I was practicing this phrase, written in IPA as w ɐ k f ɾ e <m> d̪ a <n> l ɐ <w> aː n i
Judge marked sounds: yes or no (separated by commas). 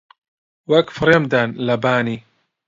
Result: yes, yes, no